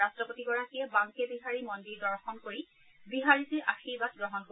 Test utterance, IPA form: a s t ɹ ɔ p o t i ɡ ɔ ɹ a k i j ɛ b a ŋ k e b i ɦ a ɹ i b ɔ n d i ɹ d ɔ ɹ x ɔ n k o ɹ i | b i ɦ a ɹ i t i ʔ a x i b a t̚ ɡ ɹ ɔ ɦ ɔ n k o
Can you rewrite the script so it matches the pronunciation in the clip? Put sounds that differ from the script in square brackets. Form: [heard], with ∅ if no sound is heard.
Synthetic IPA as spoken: a s t ɹ ɔ p o t i ɡ ɔ ɹ a k i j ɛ b a ŋ k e b i ɦ a ɹ i [m] ɔ n d i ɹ d ɔ ɹ x ɔ n k o ɹ i | b i ɦ a ɹ i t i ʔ a x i b a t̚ ɡ ɹ ɔ ɦ ɔ n k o